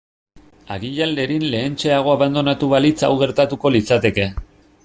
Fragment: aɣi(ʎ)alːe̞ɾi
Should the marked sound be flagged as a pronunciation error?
no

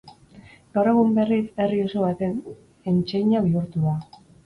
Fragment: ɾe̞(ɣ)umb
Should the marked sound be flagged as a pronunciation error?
no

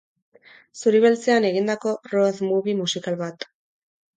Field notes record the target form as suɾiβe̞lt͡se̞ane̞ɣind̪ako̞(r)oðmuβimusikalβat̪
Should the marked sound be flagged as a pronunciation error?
no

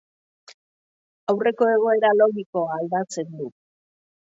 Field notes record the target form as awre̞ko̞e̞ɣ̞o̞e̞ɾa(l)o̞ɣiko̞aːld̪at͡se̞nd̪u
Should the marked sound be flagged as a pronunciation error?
no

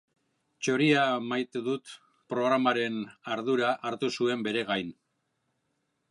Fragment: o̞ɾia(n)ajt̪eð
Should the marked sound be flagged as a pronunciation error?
yes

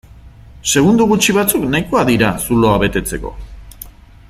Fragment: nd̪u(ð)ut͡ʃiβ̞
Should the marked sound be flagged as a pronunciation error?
yes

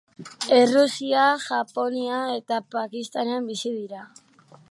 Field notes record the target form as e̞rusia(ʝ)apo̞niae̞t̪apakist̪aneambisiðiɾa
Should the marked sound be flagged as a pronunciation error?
no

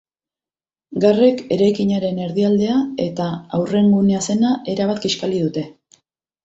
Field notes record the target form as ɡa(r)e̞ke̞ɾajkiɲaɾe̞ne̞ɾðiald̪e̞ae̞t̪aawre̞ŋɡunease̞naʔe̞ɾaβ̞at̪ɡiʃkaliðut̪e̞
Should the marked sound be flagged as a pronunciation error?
no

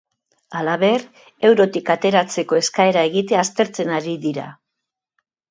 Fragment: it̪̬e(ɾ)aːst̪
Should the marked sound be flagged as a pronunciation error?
yes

